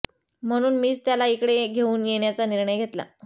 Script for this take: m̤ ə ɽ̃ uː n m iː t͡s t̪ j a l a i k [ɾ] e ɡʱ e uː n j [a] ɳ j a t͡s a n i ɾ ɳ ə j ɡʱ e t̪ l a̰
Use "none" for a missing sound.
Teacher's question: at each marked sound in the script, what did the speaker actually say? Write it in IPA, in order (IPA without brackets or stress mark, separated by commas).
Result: ɽ, e